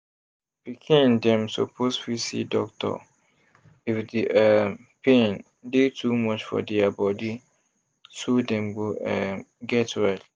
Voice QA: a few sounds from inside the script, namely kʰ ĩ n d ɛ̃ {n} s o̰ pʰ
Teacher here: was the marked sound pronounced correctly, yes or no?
no